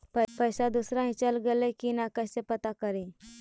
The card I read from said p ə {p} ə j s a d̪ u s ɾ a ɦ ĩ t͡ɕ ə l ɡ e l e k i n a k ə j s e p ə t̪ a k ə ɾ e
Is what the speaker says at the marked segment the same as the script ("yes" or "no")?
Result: yes